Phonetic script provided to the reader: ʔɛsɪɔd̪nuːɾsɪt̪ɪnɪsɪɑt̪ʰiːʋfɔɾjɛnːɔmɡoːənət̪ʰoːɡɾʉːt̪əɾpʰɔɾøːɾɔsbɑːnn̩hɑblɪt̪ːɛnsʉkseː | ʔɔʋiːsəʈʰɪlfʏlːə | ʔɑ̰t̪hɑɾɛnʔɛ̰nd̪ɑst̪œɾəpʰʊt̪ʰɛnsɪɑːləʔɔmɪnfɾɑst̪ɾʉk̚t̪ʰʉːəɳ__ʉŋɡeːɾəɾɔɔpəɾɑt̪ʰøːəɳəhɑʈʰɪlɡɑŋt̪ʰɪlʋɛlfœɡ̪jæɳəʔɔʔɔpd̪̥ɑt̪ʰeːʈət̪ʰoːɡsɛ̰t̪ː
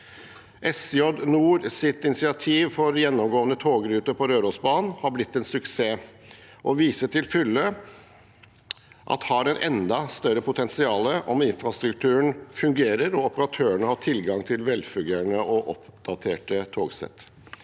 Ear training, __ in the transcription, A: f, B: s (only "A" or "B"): A